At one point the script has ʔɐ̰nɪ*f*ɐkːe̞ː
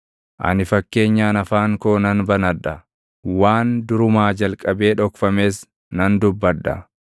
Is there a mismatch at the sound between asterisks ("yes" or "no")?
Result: no